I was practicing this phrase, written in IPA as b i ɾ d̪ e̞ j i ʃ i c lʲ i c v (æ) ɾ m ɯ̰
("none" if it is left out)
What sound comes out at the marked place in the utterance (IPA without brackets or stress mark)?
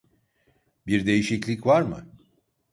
a